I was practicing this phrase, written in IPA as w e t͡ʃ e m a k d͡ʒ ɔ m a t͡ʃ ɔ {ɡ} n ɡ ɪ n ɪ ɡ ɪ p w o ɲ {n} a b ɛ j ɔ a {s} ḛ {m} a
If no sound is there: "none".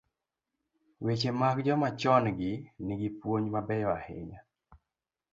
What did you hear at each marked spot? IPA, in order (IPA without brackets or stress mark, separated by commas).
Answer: none, m, h, ɲ